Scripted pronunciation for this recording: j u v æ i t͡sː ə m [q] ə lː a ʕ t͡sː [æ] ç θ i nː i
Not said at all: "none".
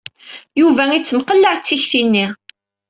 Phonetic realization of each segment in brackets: q, i

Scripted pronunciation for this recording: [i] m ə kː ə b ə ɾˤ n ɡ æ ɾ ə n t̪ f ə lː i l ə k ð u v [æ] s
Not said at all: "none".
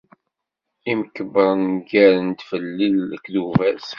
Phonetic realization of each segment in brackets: i, æ

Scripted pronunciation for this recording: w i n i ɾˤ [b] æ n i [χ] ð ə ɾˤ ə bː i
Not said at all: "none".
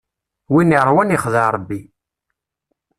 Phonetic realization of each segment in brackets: w, χ

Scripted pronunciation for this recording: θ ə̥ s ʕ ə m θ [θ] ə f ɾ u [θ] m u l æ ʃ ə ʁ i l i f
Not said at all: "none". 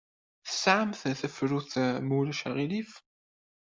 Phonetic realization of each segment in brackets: θ, θ

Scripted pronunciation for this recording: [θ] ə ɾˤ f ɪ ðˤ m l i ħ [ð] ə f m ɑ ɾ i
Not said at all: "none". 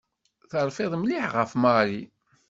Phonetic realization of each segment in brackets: θ, ʁ

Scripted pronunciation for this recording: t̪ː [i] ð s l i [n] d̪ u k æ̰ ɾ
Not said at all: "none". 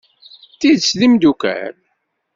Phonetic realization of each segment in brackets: i, m

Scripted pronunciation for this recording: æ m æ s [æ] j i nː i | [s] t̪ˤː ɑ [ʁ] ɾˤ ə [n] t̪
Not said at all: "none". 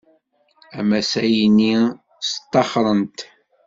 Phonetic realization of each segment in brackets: æ, s, χ, n

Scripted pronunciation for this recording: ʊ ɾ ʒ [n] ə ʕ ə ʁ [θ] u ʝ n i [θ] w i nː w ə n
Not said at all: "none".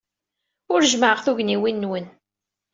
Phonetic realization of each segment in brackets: m, θ, none

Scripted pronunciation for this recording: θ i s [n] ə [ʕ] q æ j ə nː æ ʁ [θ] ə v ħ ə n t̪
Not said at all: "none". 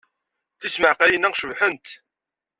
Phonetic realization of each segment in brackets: m, ʕ, ʃ

